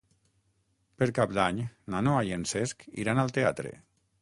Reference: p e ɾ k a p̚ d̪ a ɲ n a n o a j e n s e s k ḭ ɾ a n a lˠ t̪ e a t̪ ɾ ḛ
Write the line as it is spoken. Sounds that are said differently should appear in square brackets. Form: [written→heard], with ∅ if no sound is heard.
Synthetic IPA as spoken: p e ɾ k a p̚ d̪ a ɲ n a n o a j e n s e s k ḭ ɾ a n a lˠ t̪ e a t̪ ɾ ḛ